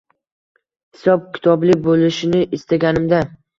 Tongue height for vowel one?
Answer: high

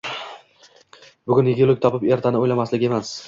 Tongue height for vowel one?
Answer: high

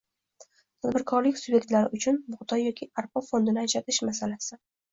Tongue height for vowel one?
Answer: low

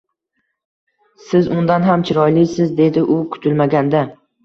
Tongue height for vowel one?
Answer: high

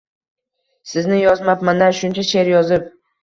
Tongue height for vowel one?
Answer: high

